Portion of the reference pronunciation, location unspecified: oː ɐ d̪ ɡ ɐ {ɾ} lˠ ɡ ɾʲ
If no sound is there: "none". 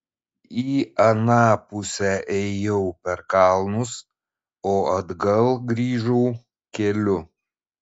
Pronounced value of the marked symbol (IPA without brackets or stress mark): none